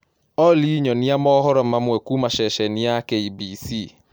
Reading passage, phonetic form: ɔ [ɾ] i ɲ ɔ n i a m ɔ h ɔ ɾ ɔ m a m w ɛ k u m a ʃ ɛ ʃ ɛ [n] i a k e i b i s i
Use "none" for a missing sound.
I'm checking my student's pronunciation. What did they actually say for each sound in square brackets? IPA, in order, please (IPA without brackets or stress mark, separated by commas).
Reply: l, n